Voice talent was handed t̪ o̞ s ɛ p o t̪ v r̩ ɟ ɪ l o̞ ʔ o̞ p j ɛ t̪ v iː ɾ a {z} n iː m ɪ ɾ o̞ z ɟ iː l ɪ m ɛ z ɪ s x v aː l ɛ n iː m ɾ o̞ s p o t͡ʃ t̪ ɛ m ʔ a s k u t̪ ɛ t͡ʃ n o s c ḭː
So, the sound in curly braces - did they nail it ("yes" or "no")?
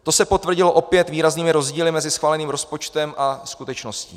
yes